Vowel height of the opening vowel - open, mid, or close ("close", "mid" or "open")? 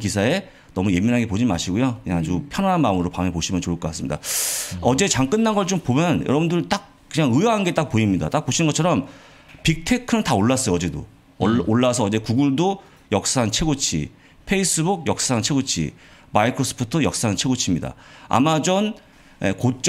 close